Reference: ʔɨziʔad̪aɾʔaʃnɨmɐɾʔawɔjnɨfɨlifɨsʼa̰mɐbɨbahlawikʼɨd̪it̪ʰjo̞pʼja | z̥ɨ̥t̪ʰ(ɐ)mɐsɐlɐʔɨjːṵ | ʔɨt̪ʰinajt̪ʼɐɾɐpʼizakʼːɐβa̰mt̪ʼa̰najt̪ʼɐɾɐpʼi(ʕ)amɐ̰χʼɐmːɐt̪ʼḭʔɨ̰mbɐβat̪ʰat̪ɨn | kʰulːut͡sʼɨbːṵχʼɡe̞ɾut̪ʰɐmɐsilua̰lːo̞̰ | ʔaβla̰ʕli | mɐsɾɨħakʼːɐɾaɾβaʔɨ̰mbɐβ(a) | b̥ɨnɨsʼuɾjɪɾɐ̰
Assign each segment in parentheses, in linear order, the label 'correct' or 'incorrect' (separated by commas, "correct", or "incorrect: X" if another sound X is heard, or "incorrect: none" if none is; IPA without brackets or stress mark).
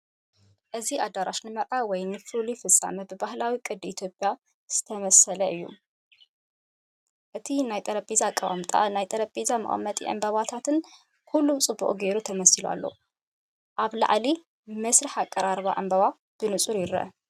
correct, incorrect: z, correct